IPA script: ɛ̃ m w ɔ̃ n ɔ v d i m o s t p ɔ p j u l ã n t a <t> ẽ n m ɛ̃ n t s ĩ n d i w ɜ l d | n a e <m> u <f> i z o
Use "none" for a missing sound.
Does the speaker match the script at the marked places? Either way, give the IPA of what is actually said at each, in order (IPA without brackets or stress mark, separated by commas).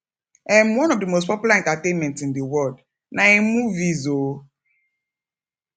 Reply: t, m, v